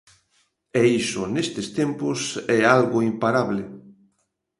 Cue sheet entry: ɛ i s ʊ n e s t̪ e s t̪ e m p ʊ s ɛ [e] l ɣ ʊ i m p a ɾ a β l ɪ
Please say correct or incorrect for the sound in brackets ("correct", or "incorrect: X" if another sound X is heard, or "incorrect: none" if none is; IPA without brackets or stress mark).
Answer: incorrect: a